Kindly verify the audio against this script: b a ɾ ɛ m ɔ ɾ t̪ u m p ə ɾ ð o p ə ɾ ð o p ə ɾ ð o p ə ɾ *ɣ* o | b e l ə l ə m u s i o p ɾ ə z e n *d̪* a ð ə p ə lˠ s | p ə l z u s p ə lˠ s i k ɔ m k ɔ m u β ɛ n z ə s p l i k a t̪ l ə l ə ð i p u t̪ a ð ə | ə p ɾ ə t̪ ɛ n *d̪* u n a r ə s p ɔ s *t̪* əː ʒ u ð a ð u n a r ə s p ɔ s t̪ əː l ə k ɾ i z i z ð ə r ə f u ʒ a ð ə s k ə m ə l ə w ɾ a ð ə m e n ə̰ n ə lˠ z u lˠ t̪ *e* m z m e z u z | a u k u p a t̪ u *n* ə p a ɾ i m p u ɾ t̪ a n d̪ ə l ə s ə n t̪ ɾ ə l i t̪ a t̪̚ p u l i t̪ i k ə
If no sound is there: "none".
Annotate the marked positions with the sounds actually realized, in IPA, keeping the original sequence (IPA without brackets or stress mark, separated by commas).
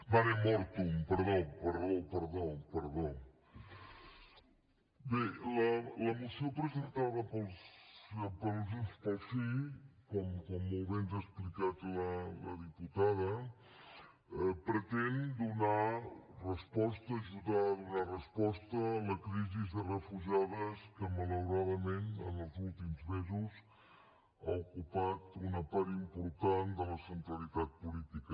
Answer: ð, t̪, d̪, t̪, i, n